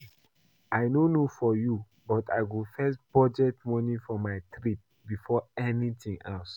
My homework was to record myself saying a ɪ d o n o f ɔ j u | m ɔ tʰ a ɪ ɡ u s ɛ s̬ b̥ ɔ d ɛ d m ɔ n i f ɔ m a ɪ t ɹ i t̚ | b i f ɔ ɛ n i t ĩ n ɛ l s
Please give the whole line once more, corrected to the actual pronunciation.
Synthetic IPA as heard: a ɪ n o n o f ɔ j u | b ɔ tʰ a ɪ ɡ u f ɛ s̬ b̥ ɔ d͡ʒ ɛ t m ɔ n i f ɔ m a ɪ t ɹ i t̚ | b i f ɔ ɛ n i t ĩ ŋ ɛ l s